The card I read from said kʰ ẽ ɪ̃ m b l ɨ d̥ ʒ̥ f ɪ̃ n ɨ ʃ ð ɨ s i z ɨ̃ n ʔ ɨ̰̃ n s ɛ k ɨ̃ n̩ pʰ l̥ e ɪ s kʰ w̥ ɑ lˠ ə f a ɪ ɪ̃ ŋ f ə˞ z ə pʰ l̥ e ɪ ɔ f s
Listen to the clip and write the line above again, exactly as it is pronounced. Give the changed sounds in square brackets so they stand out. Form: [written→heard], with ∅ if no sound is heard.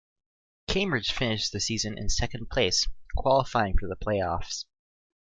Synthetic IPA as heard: kʰ ẽ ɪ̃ m b [l→ɹ] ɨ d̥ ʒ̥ f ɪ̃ n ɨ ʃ ð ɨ s i z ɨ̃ n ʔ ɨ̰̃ n s ɛ k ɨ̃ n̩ pʰ l̥ e ɪ s kʰ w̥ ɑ lˠ ə f a ɪ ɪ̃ ŋ f ə˞ [z→ð] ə pʰ l̥ e ɪ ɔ f s